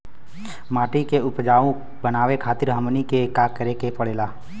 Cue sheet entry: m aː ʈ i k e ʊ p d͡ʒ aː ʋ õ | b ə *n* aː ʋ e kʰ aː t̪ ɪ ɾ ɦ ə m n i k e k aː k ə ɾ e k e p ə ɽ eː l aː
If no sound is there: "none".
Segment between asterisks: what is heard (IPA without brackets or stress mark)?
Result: n